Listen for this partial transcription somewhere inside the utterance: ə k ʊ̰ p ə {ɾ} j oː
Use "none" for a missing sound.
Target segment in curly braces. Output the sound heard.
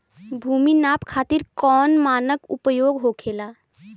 none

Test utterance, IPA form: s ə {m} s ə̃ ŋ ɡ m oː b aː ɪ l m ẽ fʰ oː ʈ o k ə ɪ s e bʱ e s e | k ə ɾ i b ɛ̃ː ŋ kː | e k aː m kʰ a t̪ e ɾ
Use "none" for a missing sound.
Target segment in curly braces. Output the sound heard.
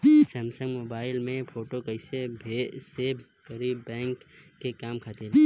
m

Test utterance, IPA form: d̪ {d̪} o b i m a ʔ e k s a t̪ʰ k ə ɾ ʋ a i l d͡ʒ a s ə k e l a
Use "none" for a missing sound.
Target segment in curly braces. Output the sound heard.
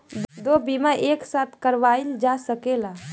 d̪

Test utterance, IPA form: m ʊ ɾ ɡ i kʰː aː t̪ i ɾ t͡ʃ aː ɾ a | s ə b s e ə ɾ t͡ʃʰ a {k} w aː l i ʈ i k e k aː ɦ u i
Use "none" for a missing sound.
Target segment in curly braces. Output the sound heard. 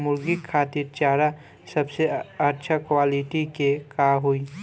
k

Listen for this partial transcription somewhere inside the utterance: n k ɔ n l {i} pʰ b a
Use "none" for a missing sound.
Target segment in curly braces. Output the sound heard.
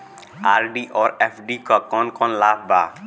a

